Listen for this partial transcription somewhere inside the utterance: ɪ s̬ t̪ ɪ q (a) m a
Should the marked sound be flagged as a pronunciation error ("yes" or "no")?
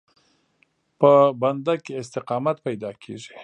yes